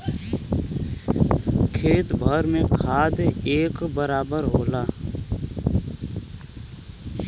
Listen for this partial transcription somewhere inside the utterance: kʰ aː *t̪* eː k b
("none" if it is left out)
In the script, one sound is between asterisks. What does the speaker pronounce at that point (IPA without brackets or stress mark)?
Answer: d̪